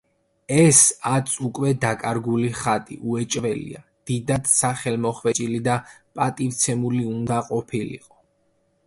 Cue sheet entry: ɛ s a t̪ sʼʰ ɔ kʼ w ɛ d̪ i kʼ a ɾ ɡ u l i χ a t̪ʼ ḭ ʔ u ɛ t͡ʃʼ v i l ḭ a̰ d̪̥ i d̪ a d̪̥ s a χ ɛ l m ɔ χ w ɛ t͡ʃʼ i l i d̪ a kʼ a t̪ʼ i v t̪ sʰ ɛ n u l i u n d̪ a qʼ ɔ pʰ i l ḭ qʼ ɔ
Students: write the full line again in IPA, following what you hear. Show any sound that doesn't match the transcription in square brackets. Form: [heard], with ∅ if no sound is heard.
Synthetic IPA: ɛ s a t̪ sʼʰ [u] kʼ w ɛ d̪ [a] kʼ a ɾ ɡ u l i χ a t̪ʼ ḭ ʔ u ɛ t͡ʃʼ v [ɛ] l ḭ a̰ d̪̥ i d̪ a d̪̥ s a χ ɛ l m ɔ χ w ɛ t͡ʃʼ i l i d̪ a [pʼ] a t̪ʼ i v t̪ sʰ ɛ [m] u l i u n d̪ a qʼ ɔ pʰ i l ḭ qʼ ɔ

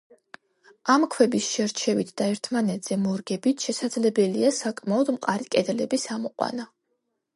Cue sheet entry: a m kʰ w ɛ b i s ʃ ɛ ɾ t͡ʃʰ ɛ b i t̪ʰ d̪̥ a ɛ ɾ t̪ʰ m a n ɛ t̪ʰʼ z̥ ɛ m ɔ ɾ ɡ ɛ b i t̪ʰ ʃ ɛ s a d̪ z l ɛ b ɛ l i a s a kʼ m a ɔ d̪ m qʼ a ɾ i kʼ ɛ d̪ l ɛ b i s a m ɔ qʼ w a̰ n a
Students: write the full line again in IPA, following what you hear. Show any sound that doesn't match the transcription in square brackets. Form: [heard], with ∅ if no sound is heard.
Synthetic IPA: a m kʰ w ɛ b i s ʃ ɛ ɾ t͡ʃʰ ɛ [v] i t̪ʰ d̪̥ a ɛ ɾ t̪ʰ m a n ɛ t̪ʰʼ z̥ ɛ m ɔ ɾ ɡ ɛ b i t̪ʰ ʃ ɛ s a d̪ z l ɛ b ɛ l i a s a kʼ m a ɔ d̪ m qʼ a ɾ i kʼ ɛ d̪ l ɛ b i s a m ɔ qʼ w a̰ n a

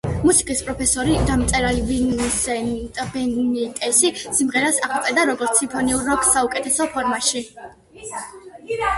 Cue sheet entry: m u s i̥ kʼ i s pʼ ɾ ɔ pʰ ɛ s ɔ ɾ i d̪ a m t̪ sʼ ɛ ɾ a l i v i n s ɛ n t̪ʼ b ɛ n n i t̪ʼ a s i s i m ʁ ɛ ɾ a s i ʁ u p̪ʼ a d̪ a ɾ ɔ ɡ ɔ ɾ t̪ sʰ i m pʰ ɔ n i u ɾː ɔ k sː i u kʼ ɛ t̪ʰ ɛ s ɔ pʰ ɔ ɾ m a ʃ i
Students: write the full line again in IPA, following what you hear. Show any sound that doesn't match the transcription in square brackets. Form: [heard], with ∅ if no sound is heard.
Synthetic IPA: m u s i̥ kʼ i s pʼ ɾ ɔ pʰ ɛ s ɔ ɾ i d̪ a m t̪ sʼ ɛ ɾ a l i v i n s ɛ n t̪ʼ b ɛ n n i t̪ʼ [ɛ] s i s i m ʁ ɛ ɾ a s [a] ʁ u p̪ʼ [ɛ] d̪ a ɾ ɔ ɡ ɔ ɾ t̪ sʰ i m pʰ ɔ n i u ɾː ɔ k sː [a] u kʼ ɛ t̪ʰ ɛ s ɔ pʰ ɔ ɾ m a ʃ i

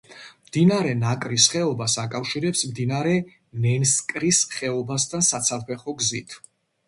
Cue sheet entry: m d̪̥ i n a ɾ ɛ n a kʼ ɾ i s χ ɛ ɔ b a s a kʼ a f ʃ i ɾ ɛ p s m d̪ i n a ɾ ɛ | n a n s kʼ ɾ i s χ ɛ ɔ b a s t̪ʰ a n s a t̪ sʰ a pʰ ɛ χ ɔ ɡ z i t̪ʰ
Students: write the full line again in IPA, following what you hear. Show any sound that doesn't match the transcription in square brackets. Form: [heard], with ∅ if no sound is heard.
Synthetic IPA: m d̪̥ i n a ɾ ɛ n a kʼ ɾ i s χ ɛ ɔ b a s a kʼ a f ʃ i ɾ ɛ p s m d̪ i n a ɾ ɛ | n [ɛ] n s kʼ ɾ i s χ ɛ ɔ b a s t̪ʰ a n s a t̪ sʰ a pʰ ɛ χ ɔ ɡ z i t̪ʰ

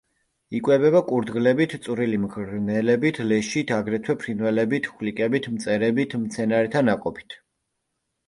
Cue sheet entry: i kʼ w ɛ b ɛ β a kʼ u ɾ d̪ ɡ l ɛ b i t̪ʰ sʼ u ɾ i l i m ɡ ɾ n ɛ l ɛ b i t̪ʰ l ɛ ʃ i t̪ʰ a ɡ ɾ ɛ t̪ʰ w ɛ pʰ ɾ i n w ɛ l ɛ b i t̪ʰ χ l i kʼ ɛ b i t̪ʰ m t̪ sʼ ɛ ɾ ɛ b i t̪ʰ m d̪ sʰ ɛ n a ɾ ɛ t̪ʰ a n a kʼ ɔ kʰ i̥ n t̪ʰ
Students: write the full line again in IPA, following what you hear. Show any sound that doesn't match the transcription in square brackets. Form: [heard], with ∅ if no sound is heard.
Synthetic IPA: i kʼ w ɛ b ɛ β a kʼ u ɾ d̪ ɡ l ɛ b i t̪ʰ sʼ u ɾ i l i m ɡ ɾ n ɛ l ɛ b i t̪ʰ l ɛ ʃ i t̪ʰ a ɡ ɾ ɛ t̪ʰ w ɛ pʰ ɾ i n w ɛ l ɛ b i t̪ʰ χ l i kʼ ɛ b i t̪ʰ m t̪ sʼ ɛ ɾ ɛ b i t̪ʰ m [t̪] sʰ ɛ n a ɾ ɛ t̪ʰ a n a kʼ ɔ [pʰ] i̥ [∅] t̪ʰ

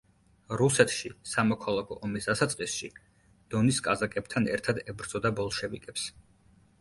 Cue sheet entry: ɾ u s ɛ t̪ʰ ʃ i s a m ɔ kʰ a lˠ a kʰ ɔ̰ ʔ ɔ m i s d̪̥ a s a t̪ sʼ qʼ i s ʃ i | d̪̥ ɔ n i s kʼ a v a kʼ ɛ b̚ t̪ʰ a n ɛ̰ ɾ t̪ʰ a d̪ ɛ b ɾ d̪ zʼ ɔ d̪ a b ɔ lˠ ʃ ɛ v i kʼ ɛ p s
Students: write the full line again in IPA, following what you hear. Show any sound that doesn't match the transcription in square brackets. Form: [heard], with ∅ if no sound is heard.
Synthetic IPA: ɾ u s ɛ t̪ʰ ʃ i s a m ɔ kʰ a lˠ a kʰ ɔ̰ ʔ ɔ m i s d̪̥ a s a t̪ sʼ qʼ i s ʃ i | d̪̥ ɔ n i s kʼ a [z] a kʼ ɛ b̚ t̪ʰ a n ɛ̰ ɾ t̪ʰ a d̪ ɛ b ɾ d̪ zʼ ɔ d̪ a b ɔ lˠ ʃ ɛ v i kʼ ɛ p s

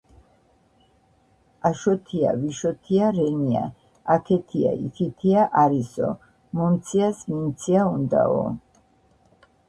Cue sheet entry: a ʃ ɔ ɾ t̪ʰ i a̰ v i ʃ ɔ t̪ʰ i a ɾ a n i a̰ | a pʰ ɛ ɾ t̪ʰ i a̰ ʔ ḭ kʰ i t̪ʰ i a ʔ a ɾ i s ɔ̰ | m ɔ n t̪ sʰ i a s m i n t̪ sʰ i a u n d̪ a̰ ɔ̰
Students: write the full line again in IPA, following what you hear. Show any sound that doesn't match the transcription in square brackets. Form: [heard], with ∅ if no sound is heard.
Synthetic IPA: a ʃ ɔ [∅] t̪ʰ i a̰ v i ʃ ɔ t̪ʰ i a ɾ [ɛ] n i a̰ | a [kʰ] ɛ [∅] t̪ʰ i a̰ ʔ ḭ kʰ i t̪ʰ i a ʔ a ɾ i s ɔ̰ | m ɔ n t̪ sʰ i a s m i n t̪ sʰ i a u n d̪ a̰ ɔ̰

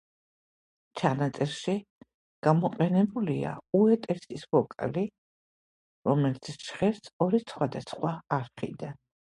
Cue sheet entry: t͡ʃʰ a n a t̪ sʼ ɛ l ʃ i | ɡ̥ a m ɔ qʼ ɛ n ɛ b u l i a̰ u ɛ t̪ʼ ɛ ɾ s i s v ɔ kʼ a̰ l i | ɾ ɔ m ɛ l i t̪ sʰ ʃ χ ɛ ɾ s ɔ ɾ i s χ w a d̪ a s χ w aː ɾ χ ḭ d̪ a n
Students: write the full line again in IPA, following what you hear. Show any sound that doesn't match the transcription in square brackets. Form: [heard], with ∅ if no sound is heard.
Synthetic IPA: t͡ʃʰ a n a t̪ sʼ ɛ [ɾ] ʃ i | ɡ̥ a m ɔ qʼ ɛ n ɛ b u l i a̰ u ɛ t̪ʼ ɛ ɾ s i s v ɔ kʼ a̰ l i | ɾ ɔ m ɛ l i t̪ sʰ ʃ χ ɛ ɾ s ɔ ɾ i s χ w a d̪ a s χ w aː ɾ χ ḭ d̪ a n

